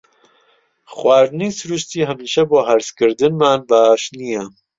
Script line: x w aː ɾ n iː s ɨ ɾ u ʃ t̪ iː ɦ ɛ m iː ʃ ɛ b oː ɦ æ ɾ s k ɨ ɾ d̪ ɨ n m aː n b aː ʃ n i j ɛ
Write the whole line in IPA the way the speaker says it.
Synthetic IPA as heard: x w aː ɾ n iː s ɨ ɾ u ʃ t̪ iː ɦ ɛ m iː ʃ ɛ b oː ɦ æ ɾ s k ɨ ɾ d̪ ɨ n m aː n b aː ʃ n i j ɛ